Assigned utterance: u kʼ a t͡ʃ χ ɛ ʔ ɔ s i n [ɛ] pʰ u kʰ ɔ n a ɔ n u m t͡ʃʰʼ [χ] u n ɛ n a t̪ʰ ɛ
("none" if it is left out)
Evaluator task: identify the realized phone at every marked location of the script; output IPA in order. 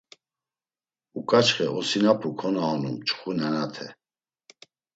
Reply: a, χ

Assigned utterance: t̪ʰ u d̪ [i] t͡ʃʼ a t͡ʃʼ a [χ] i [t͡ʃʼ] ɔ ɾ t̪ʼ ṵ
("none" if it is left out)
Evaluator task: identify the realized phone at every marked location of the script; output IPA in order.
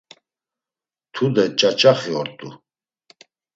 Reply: ɛ, χ, none

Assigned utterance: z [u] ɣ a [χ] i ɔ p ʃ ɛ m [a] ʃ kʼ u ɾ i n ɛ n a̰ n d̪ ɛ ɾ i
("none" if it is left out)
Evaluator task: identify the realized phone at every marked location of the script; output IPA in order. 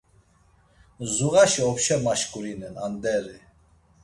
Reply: u, ʃ, a

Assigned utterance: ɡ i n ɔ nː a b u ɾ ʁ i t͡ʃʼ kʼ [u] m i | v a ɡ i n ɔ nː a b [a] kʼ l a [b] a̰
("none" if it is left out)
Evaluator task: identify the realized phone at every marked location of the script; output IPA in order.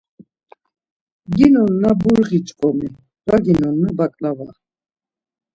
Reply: ɔ, a, v

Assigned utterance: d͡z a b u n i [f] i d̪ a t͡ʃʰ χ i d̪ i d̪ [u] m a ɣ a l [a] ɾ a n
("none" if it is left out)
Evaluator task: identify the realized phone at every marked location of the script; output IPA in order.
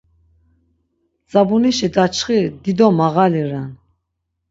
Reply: ʃ, ɔ, i

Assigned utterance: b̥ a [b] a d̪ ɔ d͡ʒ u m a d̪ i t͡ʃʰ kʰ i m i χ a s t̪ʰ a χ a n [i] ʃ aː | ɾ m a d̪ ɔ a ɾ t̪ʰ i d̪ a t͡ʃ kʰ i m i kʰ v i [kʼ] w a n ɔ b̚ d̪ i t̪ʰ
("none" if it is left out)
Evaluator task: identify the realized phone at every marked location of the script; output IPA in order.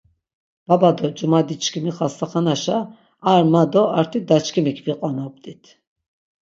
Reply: b, a, qʼ

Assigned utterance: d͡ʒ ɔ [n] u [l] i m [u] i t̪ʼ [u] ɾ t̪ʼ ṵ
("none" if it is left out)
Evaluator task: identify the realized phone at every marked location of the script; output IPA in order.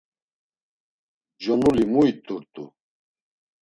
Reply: n, l, u, u

